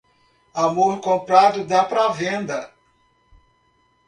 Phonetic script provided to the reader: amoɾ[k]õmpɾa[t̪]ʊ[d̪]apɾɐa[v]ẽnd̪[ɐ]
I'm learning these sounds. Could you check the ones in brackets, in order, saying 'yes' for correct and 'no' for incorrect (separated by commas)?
yes, no, yes, yes, yes